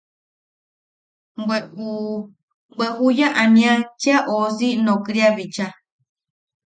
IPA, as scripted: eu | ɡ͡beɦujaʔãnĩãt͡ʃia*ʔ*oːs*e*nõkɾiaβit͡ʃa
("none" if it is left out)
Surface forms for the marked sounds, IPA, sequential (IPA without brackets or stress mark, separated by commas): ʔ, i